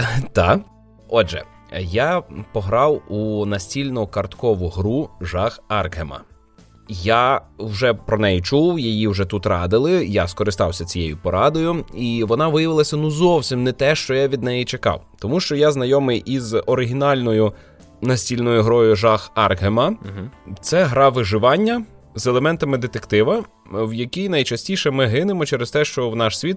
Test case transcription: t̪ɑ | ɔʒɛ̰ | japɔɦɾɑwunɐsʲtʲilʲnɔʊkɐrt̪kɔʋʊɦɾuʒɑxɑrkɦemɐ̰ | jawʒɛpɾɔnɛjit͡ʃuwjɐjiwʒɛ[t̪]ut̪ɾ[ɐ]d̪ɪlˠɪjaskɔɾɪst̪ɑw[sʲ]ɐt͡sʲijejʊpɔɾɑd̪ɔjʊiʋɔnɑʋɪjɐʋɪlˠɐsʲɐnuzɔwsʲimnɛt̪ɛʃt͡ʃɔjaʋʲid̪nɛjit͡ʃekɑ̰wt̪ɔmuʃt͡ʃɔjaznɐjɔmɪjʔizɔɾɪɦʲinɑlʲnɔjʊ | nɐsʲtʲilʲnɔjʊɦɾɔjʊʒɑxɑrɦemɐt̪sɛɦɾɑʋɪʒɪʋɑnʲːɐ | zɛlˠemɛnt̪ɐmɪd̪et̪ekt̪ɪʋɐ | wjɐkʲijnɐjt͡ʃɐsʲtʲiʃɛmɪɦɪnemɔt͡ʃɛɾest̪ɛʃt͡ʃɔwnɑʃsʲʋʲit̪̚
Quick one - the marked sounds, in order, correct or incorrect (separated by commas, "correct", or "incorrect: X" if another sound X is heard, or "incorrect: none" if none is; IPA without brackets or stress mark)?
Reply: correct, incorrect: ɑ, correct